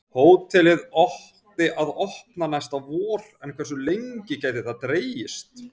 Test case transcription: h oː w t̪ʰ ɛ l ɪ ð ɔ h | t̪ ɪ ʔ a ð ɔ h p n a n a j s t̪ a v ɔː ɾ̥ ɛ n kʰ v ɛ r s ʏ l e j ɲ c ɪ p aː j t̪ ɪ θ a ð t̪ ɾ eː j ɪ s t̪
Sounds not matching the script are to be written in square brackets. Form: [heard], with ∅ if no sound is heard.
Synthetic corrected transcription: h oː w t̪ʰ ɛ l ɪ ð ɔ h | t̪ ɪ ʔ a ð ɔ h p n a n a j s t̪ a v ɔː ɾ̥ ɛ n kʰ v ɛ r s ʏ l e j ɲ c ɪ [c] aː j t̪ ɪ θ a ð t̪ ɾ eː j ɪ s t̪